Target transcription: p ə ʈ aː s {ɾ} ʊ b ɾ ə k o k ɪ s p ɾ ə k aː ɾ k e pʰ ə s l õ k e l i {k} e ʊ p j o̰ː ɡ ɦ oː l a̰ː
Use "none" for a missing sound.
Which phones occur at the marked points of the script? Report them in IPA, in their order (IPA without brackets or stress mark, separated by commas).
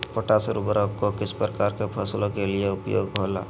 ɾ, none